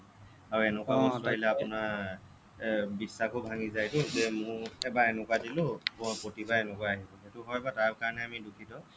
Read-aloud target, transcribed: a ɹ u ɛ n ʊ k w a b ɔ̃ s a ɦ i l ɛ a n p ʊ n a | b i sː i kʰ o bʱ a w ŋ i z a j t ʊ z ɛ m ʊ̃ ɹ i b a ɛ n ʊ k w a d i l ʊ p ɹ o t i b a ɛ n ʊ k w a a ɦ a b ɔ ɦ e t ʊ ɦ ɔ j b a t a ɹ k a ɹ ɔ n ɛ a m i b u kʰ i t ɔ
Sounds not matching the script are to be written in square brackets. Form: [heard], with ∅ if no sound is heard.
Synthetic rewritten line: a ɹ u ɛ n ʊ k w a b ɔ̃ s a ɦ i l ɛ a [∅] p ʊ n a | b i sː [a] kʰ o bʱ a [∅] ŋ i z a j t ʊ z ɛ m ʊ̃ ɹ [ɛ] b a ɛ n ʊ k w a d i l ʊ p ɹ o t i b a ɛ n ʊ k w a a ɦ [i] b ɔ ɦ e t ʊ ɦ ɔ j b a t a ɹ k a ɹ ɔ n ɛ a m i [d] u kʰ i t ɔ

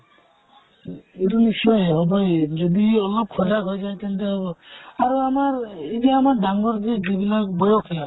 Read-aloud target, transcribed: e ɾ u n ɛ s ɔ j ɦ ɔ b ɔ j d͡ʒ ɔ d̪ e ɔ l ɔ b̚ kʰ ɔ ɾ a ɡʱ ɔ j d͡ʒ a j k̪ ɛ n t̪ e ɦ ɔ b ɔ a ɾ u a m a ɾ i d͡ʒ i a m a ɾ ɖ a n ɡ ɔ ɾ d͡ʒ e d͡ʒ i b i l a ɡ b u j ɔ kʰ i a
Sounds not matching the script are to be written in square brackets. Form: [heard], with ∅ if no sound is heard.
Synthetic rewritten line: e ɾ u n [i] s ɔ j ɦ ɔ b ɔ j d͡ʒ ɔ d̪ [i] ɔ l ɔ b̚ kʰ ɔ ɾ a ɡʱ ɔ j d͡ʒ a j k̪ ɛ n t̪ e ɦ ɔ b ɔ a ɾ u a m a ɾ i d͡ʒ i a m a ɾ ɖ a [ŋ] ɡ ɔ ɾ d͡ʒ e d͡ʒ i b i l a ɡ b [ɔ] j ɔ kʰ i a

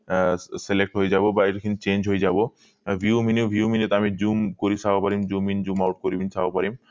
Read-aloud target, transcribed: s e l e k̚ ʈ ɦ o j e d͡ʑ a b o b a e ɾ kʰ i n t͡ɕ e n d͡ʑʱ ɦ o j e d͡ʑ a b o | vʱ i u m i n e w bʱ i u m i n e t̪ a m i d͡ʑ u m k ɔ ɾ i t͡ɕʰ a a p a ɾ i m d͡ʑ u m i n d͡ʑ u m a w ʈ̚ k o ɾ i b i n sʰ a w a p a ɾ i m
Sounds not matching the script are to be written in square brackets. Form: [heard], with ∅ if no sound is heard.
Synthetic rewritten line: s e l e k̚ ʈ ɦ o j e d͡ʑ a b o b a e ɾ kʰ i n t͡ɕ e n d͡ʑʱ ɦ o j e d͡ʑ a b o | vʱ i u m i n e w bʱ i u m i n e t̪ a m i d͡ʑ u m k [o] ɾ i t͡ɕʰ a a p a ɾ i m d͡ʑ u m i n d͡ʑ u m a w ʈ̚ k o ɾ i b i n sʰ a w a p a ɾ i m

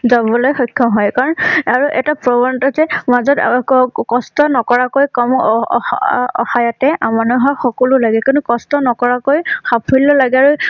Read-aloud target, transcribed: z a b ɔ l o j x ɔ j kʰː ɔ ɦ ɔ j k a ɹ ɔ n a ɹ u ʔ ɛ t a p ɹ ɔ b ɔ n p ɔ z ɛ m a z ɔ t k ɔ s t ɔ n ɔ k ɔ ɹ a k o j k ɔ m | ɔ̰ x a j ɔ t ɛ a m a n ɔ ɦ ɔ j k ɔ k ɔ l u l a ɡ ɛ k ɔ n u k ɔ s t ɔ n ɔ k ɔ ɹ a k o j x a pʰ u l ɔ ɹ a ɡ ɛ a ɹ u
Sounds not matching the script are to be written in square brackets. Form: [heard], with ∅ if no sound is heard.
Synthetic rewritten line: z a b ɔ l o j x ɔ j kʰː ɔ ɦ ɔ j k a ɹ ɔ n a ɹ u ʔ ɛ t a p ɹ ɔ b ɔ n [t] ɔ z ɛ m a z ɔ t k ɔ s t ɔ n ɔ k ɔ ɹ a k o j k ɔ m | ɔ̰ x a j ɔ t ɛ a m a n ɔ ɦ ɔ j [x] ɔ k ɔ l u l a ɡ ɛ k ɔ n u k ɔ s t ɔ n ɔ k ɔ ɹ a k o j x a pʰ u l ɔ [l] a ɡ ɛ a ɹ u

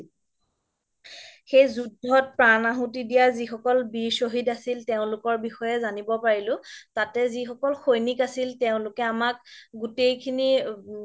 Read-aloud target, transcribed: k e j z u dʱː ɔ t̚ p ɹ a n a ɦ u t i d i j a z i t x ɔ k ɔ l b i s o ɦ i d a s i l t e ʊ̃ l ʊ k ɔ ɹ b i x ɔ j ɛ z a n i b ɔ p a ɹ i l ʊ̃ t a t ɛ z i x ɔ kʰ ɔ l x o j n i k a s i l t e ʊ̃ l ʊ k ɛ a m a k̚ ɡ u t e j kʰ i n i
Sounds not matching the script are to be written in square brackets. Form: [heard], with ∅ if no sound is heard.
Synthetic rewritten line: [x] e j z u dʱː ɔ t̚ p ɹ a n a ɦ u t i d i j a z i [∅] x ɔ k ɔ l b i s o ɦ i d a s i l t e ʊ̃ l ʊ k ɔ ɹ b i x ɔ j ɛ z a n i b ɔ p a ɹ i l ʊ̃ t a t ɛ z i x ɔ [k] ɔ l x o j n i k a s i l t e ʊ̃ l ʊ k ɛ a m a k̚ ɡ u t e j kʰ i n i

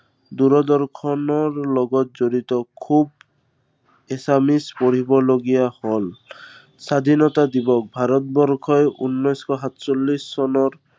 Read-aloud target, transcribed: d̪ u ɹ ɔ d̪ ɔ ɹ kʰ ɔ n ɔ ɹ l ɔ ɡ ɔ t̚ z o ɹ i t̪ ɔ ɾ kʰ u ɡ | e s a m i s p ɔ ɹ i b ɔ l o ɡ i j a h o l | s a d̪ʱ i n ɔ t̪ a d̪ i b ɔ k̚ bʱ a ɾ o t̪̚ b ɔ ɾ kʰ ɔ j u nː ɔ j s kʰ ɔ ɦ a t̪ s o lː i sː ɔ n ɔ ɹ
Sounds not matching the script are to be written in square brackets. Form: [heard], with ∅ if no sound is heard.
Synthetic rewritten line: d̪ u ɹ ɔ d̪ ɔ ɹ kʰ ɔ n ɔ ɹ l ɔ ɡ ɔ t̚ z o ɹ i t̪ ɔ [∅] kʰ u [b] | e s a m i s p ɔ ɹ i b ɔ l o ɡ i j a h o l | s a d̪ʱ i n ɔ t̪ a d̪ i b ɔ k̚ bʱ a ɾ [ɔ] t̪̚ b ɔ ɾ kʰ ɔ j u nː ɔ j s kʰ ɔ ɦ a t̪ s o lː i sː ɔ n ɔ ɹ

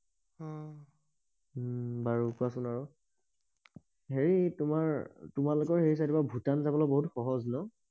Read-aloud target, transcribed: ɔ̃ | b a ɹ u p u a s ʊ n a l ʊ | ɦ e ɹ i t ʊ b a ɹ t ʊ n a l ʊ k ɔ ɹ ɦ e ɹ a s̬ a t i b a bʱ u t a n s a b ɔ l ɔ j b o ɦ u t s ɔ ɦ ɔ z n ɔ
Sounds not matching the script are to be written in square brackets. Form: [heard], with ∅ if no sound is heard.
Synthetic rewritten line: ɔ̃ | b a ɹ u [k] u a s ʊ n a [ɹ] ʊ | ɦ e ɹ i t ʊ [m] a ɹ t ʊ [m] a l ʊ k ɔ ɹ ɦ e ɹ [i] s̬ a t i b a bʱ u t a n [z] a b ɔ l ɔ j b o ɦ u t [x] ɔ ɦ ɔ z n ɔ

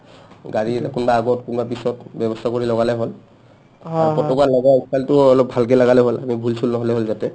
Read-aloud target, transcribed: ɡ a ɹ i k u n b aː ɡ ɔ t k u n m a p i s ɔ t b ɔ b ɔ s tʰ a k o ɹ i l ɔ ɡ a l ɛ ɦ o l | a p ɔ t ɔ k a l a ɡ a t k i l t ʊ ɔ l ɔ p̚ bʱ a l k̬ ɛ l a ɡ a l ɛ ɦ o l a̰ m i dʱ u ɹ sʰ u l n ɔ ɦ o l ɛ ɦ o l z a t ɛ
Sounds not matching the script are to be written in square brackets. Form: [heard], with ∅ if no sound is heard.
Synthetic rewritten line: ɡ a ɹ i k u n b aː ɡ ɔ t k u n [b] a p i s ɔ t b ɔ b ɔ s tʰ a k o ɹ i l ɔ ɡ a l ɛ ɦ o l | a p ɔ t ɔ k a l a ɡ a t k [a] l t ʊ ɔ l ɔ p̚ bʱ a l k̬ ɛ l a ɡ a l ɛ ɦ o l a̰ m i [bʱ] u [l] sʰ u l n ɔ ɦ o l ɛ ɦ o l z a t ɛ

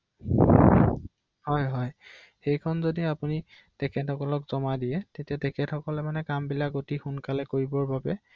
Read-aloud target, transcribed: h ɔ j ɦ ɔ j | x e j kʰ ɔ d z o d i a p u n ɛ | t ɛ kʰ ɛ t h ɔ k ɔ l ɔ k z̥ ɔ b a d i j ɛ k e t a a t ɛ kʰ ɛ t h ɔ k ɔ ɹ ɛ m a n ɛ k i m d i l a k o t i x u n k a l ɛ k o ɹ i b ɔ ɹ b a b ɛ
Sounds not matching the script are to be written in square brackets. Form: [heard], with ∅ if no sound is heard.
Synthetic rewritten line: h ɔ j ɦ ɔ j | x e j kʰ ɔ [n] z o d i a p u n [i] | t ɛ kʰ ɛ t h ɔ k ɔ l ɔ k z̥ ɔ [m] a d i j ɛ [t] e t [i] a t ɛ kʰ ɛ t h ɔ k ɔ [l] ɛ m a n ɛ k [a] m [b] i l a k o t i x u n k a l ɛ k o ɹ i b ɔ ɹ b a b ɛ

